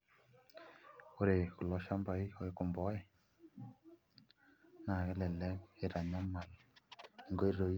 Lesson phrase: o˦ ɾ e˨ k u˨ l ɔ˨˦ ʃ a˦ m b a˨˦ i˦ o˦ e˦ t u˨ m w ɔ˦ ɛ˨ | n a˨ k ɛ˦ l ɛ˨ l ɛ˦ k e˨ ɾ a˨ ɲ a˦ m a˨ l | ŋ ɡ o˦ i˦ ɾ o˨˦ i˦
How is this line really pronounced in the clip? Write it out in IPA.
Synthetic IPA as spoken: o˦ ɾ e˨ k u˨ l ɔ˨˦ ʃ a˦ m b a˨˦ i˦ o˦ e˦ k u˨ m b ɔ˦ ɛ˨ | n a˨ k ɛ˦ l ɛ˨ l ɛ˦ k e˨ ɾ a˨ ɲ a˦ m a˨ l | ŋ ɡ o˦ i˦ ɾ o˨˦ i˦